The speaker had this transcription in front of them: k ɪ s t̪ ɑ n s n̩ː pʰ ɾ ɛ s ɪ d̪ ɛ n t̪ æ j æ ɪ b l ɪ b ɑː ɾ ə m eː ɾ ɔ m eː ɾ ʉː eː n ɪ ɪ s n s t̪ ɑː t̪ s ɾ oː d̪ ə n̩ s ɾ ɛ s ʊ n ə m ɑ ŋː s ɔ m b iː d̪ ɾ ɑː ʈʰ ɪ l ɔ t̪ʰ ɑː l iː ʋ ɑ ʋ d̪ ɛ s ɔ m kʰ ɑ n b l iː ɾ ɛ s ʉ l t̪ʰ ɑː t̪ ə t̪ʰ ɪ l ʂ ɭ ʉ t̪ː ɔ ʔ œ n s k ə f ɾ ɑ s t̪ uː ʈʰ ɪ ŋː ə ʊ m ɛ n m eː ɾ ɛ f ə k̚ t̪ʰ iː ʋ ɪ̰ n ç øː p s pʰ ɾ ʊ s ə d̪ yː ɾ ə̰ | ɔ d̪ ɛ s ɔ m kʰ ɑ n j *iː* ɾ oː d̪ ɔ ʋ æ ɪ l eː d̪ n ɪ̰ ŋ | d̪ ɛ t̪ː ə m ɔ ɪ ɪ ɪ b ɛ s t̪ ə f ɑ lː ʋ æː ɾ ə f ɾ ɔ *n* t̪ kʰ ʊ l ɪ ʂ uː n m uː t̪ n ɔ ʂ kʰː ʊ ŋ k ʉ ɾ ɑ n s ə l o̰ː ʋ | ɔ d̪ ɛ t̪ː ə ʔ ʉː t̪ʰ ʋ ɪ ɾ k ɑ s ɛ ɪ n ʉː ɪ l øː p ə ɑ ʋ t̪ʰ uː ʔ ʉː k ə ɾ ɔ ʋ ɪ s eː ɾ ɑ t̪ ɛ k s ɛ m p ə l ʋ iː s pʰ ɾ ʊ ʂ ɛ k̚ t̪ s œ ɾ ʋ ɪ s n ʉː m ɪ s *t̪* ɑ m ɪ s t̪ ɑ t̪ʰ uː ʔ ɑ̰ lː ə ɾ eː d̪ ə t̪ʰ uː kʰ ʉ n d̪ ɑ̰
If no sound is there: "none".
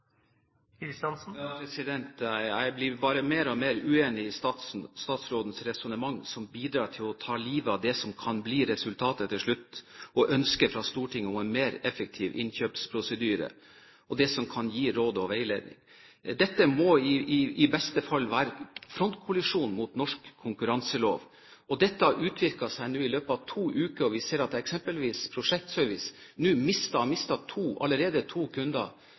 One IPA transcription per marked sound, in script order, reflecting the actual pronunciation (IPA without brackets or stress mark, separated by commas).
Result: iː, n, t̪